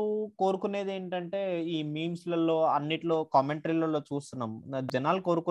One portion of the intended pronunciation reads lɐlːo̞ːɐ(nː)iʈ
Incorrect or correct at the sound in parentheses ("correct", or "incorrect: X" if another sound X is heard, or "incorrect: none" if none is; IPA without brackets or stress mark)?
correct